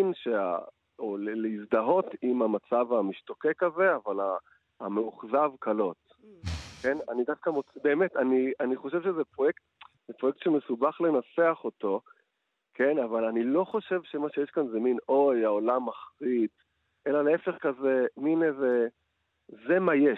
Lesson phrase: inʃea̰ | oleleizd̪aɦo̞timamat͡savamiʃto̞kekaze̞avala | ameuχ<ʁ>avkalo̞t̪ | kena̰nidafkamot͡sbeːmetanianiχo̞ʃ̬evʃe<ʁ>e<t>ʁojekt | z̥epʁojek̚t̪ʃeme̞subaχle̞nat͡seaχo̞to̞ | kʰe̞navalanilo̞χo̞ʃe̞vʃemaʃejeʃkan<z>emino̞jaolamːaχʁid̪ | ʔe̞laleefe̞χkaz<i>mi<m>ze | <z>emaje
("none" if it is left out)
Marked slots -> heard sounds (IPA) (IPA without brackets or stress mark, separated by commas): z, z, p, z, e, n, z